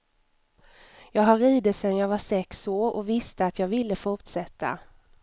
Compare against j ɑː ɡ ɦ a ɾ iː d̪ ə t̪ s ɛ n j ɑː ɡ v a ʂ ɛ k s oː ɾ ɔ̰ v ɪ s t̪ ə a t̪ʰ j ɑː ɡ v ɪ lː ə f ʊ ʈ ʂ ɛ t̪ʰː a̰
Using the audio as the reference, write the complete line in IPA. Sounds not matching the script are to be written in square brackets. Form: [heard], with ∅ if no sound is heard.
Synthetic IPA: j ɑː ɡ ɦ a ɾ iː d̪ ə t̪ s ɛ n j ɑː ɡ v a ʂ ɛ k s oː ɾ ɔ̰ v ɪ s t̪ ə a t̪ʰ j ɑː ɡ v ɪ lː ə f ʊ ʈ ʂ ɛ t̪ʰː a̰